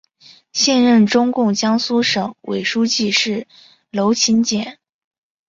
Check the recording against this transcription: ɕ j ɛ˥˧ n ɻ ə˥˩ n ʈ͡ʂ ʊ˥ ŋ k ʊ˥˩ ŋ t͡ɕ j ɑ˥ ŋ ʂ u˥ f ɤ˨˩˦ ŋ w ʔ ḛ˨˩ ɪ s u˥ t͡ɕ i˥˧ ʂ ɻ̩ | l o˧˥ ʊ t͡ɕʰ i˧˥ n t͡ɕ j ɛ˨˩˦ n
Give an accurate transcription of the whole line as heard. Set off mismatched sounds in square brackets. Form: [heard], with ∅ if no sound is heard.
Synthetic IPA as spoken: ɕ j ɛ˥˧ n ɻ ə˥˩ n ʈ͡ʂ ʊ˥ ŋ k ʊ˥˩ ŋ t͡ɕ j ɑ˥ ŋ [s] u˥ [ʂ] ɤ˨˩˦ ŋ w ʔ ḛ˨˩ ɪ [ʂ] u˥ t͡ɕ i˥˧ ʂ ɻ̩ | l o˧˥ ʊ t͡ɕʰ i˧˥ n t͡ɕ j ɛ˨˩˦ n